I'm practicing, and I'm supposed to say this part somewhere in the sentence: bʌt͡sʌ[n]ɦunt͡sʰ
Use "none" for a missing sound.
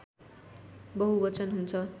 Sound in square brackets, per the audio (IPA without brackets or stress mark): n